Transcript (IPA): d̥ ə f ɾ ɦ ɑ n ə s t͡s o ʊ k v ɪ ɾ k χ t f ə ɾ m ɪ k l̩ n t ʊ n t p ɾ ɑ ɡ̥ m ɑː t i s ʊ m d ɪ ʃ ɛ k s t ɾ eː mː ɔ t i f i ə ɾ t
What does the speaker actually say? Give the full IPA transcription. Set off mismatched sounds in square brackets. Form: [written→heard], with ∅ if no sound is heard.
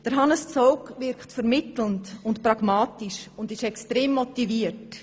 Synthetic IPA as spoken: d̥ ə [f→∅] ɾ ɦ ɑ n ə s t͡s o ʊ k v ɪ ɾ k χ t f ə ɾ m ɪ [k→t] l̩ n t ʊ n t p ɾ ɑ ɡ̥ m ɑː t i [s→ʃ] ʊ [m→n] d ɪ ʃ ɛ k s t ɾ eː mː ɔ t i [f→v] i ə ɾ t

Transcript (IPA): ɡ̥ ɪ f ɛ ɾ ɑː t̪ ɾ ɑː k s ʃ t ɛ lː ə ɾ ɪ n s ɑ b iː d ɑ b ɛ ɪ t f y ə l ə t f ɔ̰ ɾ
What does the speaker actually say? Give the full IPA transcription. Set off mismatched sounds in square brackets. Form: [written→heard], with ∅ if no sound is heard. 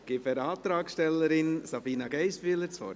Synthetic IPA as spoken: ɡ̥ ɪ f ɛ ɾ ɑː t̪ ɾ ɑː k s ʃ t ɛ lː ə ɾ ɪ n s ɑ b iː [d→n] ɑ [b→ɡ] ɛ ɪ [t→s] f y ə l ə [t→t͡s] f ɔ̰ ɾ

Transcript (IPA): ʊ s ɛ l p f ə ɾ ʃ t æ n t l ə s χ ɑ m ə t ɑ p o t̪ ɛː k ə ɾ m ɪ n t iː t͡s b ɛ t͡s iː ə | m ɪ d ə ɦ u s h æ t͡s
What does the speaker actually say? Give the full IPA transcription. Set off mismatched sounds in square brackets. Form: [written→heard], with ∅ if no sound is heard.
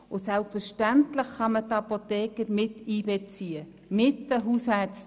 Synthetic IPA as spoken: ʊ s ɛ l p f ə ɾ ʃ t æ n t l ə [s→χ] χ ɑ m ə t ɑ p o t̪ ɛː k ə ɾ m ɪ [n→∅] t iː [t͡s→∅] b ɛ t͡s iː ə | m ɪ [d→t] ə ɦ u s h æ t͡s

